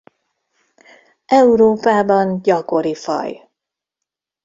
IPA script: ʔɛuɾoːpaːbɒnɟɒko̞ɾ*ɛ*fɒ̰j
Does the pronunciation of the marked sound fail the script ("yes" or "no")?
yes